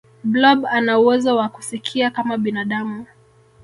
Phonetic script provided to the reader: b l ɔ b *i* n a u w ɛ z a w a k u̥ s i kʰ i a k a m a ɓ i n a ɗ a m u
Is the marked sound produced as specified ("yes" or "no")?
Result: no